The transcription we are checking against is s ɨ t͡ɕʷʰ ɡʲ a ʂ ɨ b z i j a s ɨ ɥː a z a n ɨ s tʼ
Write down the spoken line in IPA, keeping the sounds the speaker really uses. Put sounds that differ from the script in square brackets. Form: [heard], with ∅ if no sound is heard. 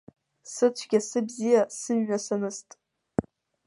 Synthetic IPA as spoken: s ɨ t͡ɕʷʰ ɡʲ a [s] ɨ b z i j a s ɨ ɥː a [s] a n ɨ s tʼ